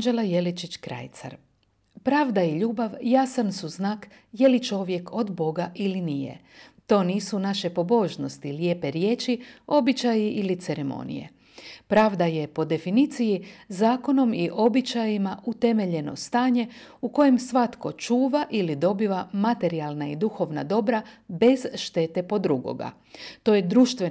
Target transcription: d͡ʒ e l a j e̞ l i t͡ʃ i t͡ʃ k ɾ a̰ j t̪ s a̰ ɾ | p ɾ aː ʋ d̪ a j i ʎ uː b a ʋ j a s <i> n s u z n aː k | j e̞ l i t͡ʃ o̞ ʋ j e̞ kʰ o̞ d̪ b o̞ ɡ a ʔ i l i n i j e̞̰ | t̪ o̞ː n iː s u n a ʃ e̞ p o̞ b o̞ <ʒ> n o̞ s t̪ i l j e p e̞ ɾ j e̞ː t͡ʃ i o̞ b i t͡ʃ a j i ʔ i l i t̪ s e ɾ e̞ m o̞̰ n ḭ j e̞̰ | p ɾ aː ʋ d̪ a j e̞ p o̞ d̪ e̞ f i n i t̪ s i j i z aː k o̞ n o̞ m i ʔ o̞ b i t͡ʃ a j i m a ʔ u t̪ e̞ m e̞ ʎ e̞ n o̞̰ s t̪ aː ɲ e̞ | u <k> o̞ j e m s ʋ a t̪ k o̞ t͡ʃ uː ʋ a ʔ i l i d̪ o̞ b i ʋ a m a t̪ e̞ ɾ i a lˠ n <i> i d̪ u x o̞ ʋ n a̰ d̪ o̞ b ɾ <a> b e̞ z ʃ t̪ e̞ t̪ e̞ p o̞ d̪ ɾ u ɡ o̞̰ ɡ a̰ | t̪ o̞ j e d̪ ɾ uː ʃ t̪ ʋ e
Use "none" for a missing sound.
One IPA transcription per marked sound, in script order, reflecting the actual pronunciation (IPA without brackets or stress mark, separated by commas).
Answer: a, ʒ, k, a, a